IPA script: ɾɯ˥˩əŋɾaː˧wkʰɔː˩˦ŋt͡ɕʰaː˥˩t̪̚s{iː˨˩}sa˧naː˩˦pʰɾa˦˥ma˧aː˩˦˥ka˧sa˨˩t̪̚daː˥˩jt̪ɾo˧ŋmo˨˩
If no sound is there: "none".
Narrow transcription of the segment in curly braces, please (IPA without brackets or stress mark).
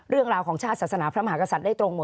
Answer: aː˨˩